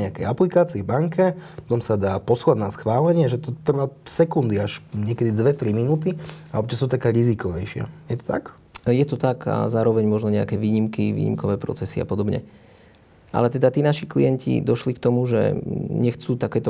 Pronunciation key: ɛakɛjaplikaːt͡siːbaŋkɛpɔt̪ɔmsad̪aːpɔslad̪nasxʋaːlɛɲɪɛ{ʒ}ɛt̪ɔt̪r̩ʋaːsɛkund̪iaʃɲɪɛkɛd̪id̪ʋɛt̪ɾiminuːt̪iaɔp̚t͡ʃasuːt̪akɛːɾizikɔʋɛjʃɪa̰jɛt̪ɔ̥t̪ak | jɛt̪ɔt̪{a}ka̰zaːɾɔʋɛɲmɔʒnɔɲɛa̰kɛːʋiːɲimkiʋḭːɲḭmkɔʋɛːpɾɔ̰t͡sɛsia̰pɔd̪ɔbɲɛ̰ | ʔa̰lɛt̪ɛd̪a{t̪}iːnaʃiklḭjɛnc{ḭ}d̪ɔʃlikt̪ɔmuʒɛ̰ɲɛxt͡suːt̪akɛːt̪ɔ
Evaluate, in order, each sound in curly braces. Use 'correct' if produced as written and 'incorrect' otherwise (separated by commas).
correct, correct, correct, correct